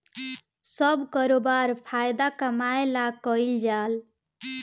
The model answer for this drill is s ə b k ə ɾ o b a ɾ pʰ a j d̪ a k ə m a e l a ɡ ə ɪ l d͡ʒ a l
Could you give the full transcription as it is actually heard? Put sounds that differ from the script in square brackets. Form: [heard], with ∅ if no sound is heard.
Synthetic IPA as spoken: s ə b k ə ɾ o b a ɾ pʰ a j d̪ a k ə m a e l a [k] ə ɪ l d͡ʒ a l